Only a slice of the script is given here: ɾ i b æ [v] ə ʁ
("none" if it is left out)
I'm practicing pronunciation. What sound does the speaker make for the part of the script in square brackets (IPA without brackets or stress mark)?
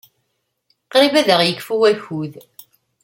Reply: ð